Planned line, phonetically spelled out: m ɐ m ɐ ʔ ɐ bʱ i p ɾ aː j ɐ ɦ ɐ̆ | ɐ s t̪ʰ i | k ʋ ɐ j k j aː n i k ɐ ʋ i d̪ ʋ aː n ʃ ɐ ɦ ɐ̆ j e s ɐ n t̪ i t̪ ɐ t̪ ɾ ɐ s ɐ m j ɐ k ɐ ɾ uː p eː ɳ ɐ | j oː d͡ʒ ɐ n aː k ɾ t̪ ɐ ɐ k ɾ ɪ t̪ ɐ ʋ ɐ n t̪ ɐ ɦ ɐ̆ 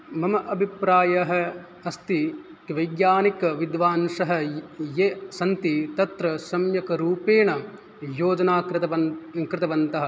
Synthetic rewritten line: m ɐ m ɐ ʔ ɐ bʱ i p ɾ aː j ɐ ɦ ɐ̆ | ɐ s t̪ i | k ʋ ɐ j ɡ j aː n i k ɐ ʋ i d̪ ʋ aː n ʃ ɐ ɦ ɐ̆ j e s ɐ n t̪ i t̪ ɐ t̪ ɾ ɐ s ɐ m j ɐ k ɐ ɾ uː p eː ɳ ɐ | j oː d͡ʒ ɐ n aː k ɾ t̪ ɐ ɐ k ɾ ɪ t̪ ɐ ʋ ɐ n t̪ ɐ ɦ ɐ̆